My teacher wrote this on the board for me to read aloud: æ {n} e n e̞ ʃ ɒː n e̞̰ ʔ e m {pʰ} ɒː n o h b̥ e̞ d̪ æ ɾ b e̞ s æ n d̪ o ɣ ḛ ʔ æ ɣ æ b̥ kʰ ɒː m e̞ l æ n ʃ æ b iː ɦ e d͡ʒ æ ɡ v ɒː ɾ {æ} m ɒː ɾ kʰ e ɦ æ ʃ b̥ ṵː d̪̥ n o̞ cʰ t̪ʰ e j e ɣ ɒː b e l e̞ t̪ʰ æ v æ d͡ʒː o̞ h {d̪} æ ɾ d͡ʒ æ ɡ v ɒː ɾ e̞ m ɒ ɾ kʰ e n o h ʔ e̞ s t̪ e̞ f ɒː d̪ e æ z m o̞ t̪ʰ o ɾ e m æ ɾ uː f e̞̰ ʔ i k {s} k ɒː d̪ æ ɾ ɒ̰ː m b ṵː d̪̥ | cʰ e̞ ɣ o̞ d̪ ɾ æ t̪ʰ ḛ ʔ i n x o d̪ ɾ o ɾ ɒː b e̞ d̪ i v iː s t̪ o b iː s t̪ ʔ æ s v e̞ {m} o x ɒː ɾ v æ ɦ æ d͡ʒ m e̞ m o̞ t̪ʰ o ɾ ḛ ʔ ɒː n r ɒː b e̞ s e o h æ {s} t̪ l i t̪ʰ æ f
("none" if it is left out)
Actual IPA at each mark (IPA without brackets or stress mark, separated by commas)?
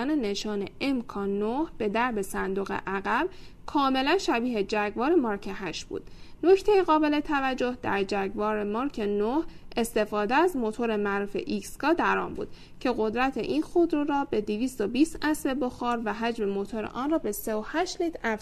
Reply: n, kʰ, e, d̪, s, b, ʃ